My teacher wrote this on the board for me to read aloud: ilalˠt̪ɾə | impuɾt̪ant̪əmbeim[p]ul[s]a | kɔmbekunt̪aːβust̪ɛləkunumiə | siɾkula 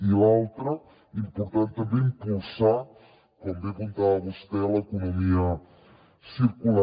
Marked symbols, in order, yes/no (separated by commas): yes, yes